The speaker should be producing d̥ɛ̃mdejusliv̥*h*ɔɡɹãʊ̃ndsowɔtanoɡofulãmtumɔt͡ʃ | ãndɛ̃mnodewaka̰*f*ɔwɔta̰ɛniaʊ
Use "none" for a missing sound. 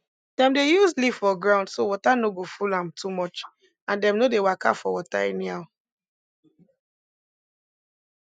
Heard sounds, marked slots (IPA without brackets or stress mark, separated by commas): f, f